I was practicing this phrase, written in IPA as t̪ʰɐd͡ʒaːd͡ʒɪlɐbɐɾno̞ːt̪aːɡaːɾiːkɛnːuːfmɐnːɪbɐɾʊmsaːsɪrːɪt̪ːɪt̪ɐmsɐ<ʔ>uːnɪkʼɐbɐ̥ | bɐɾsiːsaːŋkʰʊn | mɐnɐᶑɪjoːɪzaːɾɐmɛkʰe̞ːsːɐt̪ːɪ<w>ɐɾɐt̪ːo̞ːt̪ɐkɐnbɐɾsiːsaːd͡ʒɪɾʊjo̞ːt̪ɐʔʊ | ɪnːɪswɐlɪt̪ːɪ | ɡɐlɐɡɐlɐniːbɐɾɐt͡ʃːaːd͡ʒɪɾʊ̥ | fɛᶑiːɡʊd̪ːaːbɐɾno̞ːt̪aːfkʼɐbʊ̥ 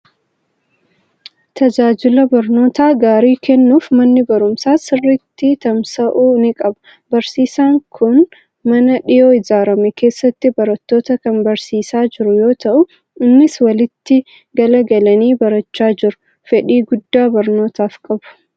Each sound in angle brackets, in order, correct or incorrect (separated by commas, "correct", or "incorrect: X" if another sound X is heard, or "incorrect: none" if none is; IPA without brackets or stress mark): correct, incorrect: b